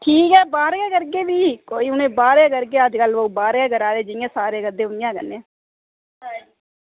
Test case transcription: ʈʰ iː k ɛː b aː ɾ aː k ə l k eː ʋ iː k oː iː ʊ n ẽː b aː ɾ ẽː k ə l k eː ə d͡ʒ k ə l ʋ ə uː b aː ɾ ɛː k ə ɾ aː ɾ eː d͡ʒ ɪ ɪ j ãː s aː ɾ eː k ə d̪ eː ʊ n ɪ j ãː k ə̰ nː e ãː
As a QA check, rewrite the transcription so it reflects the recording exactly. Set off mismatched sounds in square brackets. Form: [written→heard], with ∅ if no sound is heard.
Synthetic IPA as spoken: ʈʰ iː k ɛː b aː ɾ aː k ə [l→ɾ] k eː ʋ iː k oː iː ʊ n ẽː b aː ɾ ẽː k ə [l→ɾ] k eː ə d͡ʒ k ə l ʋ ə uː b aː ɾ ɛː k ə ɾ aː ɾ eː d͡ʒ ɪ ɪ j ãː s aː ɾ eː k ə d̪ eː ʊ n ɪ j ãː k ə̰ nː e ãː